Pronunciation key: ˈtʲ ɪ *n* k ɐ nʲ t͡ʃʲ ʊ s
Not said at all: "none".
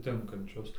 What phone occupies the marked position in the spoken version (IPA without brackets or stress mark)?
ŋ